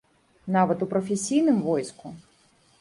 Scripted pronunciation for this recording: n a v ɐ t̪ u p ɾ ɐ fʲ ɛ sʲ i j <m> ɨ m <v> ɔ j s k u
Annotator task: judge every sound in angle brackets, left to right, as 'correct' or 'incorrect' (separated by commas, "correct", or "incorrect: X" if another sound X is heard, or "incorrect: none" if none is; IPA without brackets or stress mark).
incorrect: n, correct